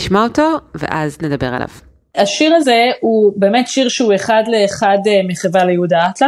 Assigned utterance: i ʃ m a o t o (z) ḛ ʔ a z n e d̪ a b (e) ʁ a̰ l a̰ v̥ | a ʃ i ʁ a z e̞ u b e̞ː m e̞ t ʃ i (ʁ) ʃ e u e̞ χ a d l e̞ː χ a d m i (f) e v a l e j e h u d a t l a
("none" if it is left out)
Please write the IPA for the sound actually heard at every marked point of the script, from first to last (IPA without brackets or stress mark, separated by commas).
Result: v, e, ʁ, χ